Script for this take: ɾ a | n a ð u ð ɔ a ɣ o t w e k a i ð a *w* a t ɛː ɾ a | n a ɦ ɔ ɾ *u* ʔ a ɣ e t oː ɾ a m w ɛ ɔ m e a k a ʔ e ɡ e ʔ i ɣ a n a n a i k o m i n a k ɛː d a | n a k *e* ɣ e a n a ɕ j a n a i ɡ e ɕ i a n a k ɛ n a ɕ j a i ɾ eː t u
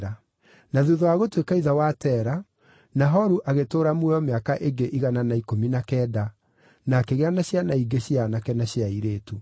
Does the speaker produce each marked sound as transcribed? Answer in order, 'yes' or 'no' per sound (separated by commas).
yes, yes, yes